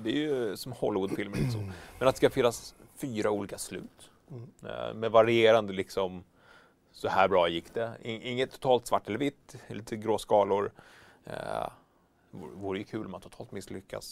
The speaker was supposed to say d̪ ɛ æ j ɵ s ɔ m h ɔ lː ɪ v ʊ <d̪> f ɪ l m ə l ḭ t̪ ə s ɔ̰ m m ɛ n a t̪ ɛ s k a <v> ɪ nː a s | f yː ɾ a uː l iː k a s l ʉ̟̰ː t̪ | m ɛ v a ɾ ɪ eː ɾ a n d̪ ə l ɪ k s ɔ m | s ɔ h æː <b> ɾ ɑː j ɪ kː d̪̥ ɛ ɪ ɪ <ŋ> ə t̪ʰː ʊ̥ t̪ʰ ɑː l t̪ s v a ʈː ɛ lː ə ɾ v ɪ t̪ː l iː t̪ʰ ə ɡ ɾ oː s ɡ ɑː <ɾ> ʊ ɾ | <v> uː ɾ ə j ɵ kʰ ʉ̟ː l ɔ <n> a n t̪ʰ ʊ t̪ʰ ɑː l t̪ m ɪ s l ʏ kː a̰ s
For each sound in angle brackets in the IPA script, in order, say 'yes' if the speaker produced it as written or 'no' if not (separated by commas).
yes, no, yes, no, no, yes, no